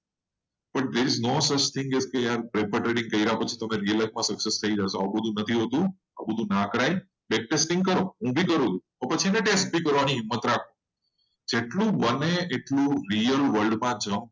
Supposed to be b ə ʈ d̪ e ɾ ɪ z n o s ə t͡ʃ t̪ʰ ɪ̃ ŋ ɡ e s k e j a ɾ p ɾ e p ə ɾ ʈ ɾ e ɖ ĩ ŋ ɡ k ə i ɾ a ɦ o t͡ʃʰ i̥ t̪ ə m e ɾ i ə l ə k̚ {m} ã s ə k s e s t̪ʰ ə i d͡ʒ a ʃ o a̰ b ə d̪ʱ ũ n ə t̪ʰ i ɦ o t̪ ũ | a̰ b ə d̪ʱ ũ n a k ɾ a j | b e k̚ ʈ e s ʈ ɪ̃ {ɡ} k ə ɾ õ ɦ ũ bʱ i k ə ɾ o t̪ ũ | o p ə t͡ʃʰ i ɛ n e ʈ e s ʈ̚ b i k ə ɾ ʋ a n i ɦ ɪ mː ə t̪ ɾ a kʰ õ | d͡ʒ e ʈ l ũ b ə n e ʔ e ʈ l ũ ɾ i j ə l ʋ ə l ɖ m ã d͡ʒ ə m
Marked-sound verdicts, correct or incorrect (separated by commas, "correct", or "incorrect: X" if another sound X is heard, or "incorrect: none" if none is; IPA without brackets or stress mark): correct, incorrect: ŋ